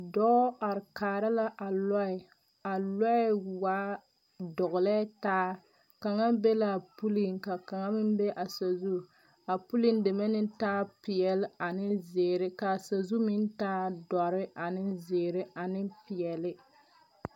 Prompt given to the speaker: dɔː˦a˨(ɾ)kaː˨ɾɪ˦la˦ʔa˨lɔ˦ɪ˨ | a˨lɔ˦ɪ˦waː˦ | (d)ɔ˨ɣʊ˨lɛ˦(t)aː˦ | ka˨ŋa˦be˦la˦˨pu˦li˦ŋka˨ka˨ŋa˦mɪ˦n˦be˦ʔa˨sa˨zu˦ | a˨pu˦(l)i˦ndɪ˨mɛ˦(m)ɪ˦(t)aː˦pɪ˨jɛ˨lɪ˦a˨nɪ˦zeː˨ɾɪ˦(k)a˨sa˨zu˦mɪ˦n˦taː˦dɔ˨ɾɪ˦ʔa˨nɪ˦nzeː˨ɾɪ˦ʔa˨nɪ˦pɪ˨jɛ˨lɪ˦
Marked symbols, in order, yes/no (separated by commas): yes, yes, yes, yes, no, yes, yes